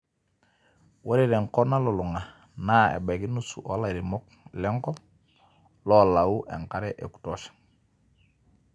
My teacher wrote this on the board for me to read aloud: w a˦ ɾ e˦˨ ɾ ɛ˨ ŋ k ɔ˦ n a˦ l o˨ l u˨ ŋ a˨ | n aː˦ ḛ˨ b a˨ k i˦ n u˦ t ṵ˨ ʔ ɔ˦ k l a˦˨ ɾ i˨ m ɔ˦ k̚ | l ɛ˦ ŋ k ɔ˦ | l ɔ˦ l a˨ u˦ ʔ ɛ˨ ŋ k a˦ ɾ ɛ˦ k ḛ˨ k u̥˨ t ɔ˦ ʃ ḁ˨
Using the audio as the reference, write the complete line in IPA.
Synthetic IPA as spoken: w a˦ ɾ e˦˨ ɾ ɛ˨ ŋ k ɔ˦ n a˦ l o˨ l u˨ ŋ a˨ | n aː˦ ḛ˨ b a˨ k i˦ n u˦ s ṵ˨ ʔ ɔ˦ l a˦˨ ɾ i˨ m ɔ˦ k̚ | l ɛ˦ ŋ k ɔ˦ | l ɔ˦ l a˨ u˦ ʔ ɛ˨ ŋ k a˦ ɾ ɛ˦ ʔ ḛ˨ k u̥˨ t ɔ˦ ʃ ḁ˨